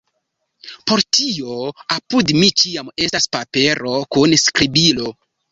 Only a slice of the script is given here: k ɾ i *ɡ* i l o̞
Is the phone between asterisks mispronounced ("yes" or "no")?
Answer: yes